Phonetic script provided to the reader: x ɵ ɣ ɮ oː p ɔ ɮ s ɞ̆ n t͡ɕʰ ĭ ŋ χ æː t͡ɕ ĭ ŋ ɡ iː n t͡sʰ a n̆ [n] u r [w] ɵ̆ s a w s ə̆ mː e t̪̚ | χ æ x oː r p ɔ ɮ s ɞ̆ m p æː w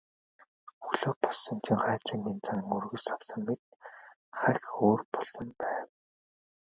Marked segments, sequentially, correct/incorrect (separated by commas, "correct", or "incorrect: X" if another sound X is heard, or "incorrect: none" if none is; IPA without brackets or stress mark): incorrect: ŋ, incorrect: ɣ